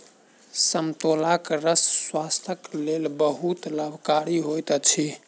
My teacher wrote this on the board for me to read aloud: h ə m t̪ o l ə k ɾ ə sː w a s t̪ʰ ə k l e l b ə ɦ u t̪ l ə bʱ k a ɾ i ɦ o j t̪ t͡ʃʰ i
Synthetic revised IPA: s ə m t̪ o l a k ɾ ə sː w a s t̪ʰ ə k l e l b ə ɦ u t̪ l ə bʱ k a ɾ i ɦ o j t̪ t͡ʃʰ i